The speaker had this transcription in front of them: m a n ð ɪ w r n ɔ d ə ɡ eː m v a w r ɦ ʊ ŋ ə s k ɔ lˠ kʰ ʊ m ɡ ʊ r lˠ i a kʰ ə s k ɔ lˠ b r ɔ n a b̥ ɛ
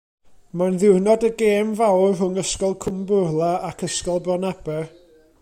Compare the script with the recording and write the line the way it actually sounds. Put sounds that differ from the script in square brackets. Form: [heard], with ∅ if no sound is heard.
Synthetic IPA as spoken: m a n ð ɪ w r n ɔ d ə ɡ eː m v a w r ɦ ʊ ŋ ə s k ɔ lˠ kʰ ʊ m [b] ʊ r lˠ [a] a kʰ ə s k ɔ lˠ b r ɔ n a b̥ ɛ